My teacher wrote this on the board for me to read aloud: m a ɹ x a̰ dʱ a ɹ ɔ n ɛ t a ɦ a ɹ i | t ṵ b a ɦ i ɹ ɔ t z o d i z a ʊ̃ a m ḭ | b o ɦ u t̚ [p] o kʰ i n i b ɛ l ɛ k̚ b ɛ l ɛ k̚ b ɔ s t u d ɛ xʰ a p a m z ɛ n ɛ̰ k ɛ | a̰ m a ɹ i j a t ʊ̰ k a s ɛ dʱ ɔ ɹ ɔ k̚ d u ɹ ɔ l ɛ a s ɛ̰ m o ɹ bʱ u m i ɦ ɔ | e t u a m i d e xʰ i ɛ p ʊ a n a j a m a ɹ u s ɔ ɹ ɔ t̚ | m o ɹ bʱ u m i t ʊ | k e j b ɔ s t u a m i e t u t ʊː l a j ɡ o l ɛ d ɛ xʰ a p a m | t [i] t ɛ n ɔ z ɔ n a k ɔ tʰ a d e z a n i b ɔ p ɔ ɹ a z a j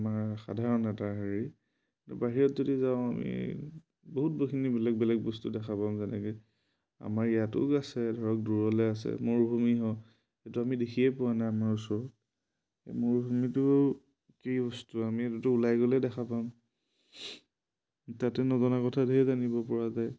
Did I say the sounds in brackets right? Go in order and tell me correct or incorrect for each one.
incorrect: b, incorrect: a

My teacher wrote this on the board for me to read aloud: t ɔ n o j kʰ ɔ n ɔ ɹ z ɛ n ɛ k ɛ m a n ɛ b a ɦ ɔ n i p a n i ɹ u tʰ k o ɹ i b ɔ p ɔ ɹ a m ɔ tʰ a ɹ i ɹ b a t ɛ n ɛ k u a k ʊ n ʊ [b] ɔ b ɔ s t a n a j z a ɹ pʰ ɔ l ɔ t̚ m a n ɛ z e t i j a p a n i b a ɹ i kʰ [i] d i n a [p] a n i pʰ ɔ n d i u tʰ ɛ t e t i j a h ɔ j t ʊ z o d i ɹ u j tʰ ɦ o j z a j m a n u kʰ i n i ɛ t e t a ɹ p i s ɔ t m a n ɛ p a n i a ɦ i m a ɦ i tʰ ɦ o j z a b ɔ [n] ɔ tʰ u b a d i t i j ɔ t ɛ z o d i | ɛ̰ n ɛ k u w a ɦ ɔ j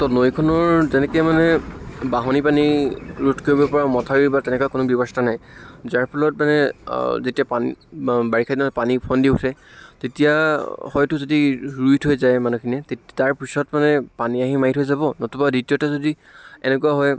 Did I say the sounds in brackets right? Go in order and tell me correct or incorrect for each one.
correct, incorrect: a, correct, correct

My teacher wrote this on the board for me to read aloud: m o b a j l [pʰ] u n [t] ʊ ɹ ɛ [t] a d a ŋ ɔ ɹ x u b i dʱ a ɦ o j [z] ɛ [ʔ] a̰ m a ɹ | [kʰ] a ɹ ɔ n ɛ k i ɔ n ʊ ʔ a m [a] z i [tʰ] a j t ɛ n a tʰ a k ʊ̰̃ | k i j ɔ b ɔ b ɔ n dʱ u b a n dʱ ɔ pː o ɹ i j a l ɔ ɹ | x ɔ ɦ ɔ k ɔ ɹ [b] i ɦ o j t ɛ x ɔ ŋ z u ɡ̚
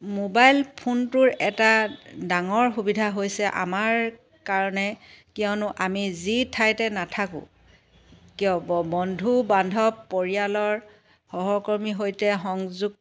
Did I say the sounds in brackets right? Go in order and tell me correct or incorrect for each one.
correct, correct, correct, incorrect: s, correct, incorrect: k, incorrect: i, correct, incorrect: m

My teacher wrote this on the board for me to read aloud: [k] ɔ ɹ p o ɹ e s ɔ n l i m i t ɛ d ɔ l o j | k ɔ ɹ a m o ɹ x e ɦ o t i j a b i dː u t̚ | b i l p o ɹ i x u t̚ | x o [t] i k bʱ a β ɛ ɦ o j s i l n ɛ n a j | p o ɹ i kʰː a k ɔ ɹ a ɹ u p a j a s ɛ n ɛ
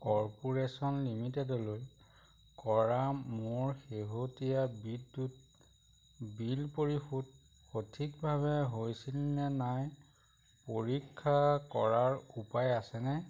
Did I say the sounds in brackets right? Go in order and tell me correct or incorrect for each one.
correct, incorrect: tʰ

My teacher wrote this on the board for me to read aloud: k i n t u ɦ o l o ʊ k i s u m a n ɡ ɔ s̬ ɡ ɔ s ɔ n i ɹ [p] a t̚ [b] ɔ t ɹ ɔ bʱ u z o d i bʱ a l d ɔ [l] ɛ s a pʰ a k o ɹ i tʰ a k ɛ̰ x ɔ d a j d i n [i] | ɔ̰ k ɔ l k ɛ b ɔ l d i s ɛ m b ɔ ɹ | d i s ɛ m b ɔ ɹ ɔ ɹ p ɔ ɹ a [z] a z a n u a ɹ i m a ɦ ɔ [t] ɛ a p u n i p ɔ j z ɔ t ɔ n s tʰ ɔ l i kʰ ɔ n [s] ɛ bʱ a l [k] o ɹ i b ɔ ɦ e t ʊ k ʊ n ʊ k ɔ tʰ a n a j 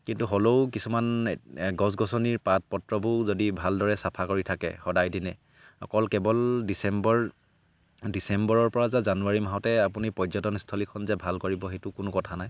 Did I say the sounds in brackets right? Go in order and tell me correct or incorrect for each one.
correct, incorrect: p, incorrect: ɹ, incorrect: ɛ, correct, correct, incorrect: z, correct

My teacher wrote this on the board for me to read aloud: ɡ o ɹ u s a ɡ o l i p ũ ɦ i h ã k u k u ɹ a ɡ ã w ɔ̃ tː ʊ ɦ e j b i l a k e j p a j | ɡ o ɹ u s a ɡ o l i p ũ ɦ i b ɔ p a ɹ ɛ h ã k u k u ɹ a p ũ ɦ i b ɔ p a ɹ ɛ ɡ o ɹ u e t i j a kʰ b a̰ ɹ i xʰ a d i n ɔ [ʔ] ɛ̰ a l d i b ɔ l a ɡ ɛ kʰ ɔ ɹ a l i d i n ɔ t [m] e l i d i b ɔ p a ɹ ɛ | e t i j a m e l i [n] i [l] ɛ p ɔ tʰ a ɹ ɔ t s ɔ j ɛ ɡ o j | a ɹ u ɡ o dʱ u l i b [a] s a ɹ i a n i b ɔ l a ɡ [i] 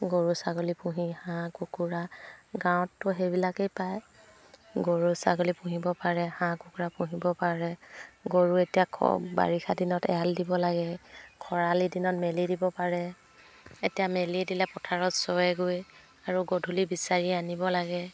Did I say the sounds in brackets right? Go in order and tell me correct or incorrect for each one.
incorrect: t, correct, incorrect: d, correct, incorrect: i, incorrect: ɛ

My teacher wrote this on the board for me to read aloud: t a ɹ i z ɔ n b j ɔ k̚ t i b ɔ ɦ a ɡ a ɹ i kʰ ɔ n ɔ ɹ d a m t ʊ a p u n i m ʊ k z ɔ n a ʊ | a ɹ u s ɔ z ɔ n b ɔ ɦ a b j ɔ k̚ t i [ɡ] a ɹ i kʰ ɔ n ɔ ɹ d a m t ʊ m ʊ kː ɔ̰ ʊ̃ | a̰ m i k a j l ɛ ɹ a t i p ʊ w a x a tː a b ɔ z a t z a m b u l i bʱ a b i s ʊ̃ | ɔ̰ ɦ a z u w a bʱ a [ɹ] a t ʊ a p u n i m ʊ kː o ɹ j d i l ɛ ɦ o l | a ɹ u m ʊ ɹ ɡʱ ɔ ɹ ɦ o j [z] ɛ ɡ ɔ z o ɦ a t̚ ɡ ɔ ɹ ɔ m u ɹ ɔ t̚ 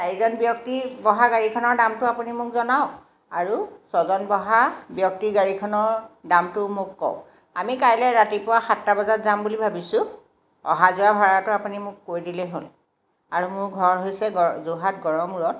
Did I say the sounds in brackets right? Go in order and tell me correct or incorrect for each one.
correct, correct, incorrect: s

